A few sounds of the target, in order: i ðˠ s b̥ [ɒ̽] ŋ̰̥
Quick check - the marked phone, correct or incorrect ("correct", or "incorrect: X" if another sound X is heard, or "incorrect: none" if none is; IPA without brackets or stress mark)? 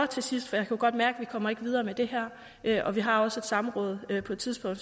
incorrect: ɔ̽